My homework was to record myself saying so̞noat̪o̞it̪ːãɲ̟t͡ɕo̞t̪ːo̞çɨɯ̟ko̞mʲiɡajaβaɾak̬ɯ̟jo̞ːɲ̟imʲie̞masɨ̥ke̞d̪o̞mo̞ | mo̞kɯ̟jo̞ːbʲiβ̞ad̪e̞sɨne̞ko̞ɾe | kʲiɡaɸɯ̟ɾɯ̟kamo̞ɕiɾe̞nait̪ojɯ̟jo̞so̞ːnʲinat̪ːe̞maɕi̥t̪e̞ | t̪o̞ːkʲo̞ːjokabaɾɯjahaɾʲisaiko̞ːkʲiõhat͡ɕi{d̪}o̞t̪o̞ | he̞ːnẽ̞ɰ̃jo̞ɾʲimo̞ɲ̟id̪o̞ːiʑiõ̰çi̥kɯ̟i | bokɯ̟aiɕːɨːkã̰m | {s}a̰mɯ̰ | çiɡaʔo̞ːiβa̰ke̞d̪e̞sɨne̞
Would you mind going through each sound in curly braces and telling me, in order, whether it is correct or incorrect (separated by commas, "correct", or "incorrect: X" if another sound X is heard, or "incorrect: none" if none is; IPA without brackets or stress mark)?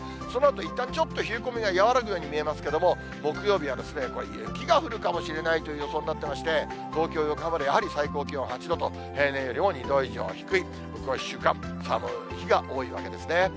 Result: correct, correct